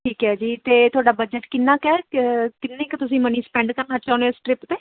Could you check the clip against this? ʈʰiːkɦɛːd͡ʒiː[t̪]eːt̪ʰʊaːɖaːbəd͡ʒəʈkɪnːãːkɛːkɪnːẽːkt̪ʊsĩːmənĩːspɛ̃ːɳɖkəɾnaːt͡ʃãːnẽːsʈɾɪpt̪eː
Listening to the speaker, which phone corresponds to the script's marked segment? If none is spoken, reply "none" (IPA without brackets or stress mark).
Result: t̪